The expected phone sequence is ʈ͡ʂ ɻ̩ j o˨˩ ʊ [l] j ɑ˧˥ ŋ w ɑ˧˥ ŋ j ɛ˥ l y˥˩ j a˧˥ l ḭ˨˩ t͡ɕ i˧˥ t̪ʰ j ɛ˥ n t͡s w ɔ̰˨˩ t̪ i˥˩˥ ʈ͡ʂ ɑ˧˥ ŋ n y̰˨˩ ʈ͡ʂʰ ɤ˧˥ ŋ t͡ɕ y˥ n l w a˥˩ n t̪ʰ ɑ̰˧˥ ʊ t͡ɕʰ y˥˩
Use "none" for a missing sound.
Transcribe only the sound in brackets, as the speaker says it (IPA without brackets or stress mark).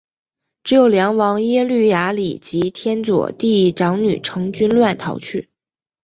l